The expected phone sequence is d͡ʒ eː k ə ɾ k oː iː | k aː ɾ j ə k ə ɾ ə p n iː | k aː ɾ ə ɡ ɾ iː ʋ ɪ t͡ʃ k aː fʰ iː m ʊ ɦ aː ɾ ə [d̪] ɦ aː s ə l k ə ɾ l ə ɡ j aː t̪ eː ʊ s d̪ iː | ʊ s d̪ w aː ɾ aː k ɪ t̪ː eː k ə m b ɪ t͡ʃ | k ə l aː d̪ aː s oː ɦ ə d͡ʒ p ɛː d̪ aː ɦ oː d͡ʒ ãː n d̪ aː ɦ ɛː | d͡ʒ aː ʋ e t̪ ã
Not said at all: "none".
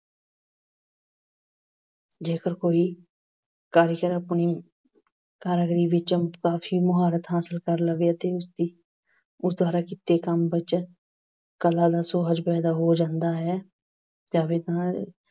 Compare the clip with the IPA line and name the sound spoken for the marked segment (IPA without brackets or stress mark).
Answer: t̪